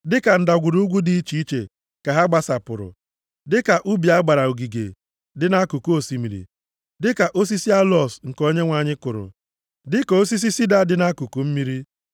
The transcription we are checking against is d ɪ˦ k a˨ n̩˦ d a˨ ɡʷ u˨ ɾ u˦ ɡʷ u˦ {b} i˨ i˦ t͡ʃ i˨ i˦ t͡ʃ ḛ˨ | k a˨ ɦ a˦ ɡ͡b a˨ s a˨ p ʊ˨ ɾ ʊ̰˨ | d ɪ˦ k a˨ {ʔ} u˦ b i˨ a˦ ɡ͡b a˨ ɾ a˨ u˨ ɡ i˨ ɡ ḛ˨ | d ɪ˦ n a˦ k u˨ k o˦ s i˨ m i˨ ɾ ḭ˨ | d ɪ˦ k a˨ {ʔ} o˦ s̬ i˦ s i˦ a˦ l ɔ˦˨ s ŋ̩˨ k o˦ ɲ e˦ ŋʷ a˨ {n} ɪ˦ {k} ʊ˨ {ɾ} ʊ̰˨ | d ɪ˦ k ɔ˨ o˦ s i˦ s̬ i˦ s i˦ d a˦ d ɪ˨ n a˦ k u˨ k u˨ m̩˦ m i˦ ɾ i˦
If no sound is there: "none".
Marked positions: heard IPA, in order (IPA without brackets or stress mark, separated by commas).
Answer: d, ʔ, ʔ, ɲ, k, ɾ